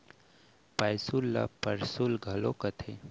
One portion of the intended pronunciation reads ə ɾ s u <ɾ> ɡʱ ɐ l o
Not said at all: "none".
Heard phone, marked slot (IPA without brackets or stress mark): l